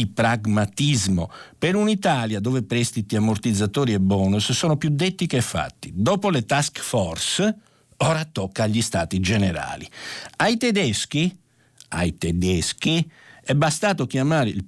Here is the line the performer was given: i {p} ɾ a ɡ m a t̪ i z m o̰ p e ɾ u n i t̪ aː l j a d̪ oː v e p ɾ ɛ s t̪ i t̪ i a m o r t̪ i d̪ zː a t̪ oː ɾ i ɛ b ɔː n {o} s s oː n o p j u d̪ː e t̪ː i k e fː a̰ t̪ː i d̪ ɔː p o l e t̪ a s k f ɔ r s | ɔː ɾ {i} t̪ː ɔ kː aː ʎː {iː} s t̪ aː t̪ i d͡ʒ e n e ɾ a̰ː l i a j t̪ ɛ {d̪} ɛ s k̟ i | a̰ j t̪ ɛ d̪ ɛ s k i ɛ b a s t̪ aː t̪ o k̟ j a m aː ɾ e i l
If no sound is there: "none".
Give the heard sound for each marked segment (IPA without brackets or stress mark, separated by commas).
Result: p, u, a, i, d̪